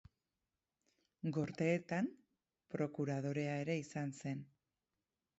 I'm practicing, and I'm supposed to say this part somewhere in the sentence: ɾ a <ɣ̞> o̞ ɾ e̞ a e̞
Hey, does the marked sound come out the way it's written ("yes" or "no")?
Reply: no